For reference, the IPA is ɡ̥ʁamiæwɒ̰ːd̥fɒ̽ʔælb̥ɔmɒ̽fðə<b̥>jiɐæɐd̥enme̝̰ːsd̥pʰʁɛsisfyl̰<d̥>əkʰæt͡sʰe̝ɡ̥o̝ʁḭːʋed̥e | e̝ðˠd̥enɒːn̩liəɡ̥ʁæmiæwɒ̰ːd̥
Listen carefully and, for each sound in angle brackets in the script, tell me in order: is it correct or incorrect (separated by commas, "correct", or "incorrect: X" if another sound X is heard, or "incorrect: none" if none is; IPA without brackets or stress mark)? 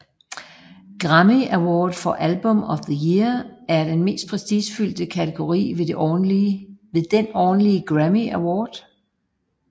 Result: incorrect: none, correct